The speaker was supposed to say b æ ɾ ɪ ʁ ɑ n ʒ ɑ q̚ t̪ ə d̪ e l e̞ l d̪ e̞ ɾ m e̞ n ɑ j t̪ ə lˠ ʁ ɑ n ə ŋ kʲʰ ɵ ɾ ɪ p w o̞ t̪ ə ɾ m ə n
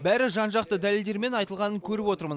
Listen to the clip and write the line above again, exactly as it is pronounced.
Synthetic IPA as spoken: b æ ɾ ɪ ʒ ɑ n ʒ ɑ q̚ t̪ ə d̪ æ l e̞ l d̪ e̞ ɾ m e̞ n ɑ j t̪ ə lˠ ʁ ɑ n ə ŋ kʲʰ ɵ ɾ ɪ p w o̞ t̪ ə ɾ m ə n